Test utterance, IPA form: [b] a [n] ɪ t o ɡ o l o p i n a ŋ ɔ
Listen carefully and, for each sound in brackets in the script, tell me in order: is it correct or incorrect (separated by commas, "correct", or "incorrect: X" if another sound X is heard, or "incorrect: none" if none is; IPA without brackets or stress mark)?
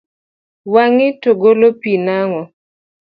incorrect: w, incorrect: ŋ